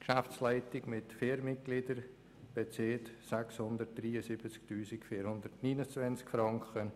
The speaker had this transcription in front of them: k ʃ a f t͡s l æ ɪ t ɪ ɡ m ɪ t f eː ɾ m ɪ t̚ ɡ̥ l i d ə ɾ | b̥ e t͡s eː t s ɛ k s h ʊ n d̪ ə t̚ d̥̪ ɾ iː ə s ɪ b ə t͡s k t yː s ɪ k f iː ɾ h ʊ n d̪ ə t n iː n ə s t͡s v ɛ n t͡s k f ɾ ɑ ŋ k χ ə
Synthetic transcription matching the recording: k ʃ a f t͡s l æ ɪ t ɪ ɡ m ɪ t f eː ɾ m ɪ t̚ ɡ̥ l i d ə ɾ | b̥ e t͡s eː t s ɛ k s h ʊ n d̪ ə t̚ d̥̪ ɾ iː ə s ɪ b ə t͡s k t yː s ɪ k f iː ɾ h ʊ n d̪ ə t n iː n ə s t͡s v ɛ n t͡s k f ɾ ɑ ŋ k χ ə